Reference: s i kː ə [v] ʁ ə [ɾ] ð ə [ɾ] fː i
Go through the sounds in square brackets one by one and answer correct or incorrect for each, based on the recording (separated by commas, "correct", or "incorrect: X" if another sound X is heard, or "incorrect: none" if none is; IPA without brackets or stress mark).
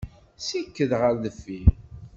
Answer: incorrect: ð, correct, incorrect: none